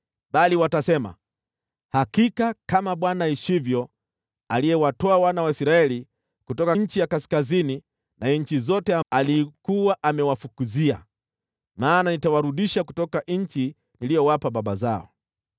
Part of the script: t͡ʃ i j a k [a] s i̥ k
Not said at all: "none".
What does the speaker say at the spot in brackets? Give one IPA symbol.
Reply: a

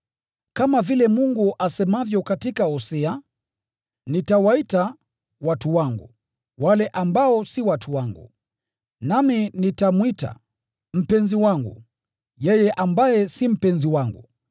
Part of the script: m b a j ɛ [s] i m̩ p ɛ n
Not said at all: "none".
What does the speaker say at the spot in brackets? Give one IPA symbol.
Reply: s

